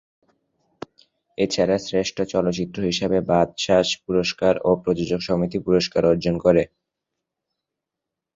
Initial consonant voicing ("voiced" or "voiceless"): voiceless